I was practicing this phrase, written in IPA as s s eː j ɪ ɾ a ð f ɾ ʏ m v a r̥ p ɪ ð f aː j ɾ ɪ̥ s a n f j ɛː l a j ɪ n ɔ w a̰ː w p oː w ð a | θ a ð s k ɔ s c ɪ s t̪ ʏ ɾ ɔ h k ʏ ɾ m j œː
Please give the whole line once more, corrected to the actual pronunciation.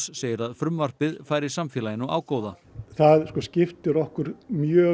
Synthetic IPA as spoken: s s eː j ɪ ɾ a ð f ɾ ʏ m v a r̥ p ɪ ð f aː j ɾ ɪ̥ s a m f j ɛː l a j ɪ n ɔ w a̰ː w k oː w ð a | θ a ð s k ɔ s c ɪ f t̪ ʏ ɾ ɔ h k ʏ ɾ m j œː

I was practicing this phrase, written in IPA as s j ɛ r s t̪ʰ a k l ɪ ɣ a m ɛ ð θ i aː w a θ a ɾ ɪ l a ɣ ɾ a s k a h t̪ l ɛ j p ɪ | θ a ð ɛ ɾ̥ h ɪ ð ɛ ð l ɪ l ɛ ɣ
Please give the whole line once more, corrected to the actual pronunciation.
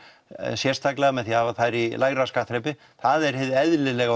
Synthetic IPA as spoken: s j ɛ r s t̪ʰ a k l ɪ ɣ a m ɛ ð θ i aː v a θ a ɾ i l a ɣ ɾ a s k a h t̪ ɾ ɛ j p ɪ | θ a ð ɛ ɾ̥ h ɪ ð ɛ ð l ɪ l ɛ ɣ

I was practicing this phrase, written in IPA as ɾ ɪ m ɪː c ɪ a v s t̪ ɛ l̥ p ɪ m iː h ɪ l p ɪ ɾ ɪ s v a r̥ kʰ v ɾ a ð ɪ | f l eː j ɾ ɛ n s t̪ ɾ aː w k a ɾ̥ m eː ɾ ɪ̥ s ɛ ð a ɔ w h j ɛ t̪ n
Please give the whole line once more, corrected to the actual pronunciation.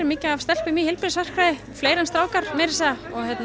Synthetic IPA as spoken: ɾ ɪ m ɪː c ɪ a v s t̪ ɛ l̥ p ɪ m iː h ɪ l p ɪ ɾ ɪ s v a r̥ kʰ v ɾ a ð ɪ | f l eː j ɾ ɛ n s t̪ ɾ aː w k a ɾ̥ m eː ɾ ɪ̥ s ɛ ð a ɔ ɣ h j ɛ t̪ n

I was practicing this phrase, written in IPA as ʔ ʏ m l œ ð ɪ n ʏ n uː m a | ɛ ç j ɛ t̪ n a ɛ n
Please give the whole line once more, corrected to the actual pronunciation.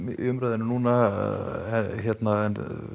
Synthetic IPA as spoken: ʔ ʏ m ɾ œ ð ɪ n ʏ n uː n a | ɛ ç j ɛ t̪ n a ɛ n

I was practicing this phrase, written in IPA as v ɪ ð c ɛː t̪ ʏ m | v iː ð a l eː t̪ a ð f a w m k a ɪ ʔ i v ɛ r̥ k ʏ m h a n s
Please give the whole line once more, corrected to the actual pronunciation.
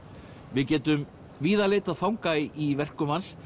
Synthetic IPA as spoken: v ɪ ð c ɛː t̪ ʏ m | v iː ð a l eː t̪ a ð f a w ŋ k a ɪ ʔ i v ɛ r̥ k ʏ m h a n s

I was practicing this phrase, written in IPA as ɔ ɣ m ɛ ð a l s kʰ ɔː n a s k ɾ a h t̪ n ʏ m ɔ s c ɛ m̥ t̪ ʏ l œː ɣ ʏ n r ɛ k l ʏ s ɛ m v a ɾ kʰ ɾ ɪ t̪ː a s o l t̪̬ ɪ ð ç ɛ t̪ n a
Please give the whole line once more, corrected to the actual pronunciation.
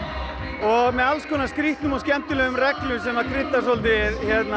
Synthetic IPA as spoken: ɔ ɣ m ɛ ð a l s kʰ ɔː n a s k ɾ i h t̪ n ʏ m ɔ s c ɛ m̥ t̪ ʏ l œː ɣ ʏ m r ɛ k l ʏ s ɛ m v a ɾ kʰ ɾ ɪ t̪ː a s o l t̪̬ ɪ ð ç ɛ t̪ n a

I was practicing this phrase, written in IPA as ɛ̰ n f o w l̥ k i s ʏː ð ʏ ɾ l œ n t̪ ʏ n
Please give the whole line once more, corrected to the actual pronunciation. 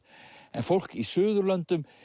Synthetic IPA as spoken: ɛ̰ n f o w l̥ k i s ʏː ð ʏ ɾ l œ n t̪ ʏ m

